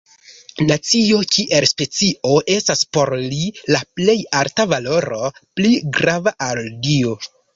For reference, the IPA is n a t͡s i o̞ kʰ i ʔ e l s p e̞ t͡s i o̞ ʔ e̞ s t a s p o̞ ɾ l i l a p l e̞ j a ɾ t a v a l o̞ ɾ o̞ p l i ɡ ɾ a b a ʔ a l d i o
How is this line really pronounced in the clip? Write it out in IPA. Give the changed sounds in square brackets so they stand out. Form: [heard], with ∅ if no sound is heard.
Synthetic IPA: n a t͡s i o̞ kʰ i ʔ e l s p e̞ t͡s i o̞ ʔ e̞ s t a s p o̞ ɾ l i l a p l e̞ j a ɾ t a v a l o̞ ɾ o̞ p l i ɡ ɾ a [v] a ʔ a l d i o